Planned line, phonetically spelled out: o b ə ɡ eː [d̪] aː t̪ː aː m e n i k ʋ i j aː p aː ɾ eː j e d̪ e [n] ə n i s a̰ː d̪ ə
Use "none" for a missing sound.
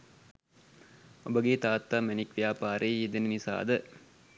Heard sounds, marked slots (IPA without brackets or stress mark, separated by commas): t̪, n